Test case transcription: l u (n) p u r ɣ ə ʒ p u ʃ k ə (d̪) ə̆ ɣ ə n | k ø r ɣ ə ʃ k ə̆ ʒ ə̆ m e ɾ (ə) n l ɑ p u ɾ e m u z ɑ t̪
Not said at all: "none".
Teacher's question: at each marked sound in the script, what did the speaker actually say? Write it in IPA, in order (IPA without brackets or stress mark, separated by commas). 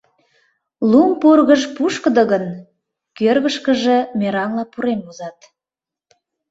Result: m, d̪, ɑ